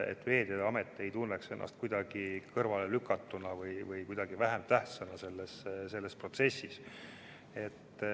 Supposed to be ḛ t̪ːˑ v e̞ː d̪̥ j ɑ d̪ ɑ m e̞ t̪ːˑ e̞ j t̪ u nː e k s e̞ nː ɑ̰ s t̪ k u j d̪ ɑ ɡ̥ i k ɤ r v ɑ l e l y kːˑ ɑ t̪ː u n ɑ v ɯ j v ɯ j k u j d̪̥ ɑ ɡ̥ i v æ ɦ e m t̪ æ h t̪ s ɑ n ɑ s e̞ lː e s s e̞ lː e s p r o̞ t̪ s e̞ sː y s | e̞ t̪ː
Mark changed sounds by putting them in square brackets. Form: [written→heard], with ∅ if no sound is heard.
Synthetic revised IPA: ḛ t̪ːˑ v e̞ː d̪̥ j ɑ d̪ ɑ m e̞ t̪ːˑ e̞ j t̪ u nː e k s e̞ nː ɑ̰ s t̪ k u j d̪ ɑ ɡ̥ i k ɤ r v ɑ l e l y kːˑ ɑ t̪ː u n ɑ v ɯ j v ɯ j k u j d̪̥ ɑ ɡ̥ i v æ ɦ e m t̪ æ h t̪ s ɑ n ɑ s e̞ lː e s s e̞ lː e s p r o̞ t̪ s e̞ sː [y→i] s | e̞ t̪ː